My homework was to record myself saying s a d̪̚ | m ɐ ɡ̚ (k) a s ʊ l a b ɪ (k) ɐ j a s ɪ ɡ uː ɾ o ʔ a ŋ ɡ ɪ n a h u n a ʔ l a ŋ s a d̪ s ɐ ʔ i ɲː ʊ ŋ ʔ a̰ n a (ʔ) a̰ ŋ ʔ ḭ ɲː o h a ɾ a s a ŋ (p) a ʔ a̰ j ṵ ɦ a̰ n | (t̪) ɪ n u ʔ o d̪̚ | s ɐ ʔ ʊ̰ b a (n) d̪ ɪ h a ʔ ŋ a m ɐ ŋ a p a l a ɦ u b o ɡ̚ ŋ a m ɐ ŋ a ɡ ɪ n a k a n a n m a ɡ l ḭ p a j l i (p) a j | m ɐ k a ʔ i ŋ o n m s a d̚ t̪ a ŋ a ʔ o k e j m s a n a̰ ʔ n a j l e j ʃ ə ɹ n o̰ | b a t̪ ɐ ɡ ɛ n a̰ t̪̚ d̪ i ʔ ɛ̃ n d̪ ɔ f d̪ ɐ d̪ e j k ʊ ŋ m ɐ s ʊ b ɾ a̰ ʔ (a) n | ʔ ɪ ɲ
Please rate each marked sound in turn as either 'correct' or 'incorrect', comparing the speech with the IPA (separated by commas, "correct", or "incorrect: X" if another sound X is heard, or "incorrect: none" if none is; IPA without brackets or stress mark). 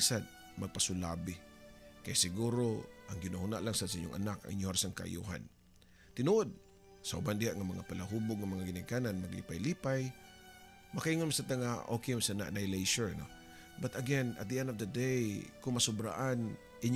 incorrect: p, correct, incorrect: k, incorrect: k, correct, correct, correct, correct